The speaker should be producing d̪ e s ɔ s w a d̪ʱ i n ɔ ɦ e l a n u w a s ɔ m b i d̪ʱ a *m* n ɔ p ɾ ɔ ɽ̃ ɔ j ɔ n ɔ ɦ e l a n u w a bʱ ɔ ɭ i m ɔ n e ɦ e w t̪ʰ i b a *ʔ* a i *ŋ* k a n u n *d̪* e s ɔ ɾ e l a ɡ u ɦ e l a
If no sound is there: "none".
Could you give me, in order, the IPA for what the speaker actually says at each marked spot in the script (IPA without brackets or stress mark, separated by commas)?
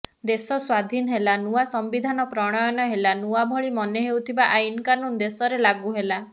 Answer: none, ʔ, n, d̪